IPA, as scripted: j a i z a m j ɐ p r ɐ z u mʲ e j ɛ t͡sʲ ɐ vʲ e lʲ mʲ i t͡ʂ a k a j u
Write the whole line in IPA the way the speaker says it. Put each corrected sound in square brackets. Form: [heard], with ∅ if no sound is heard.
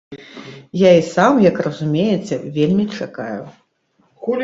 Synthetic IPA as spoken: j a i [s] a m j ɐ [k] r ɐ z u mʲ e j ɛ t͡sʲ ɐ vʲ e lʲ mʲ i t͡ʂ a k a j u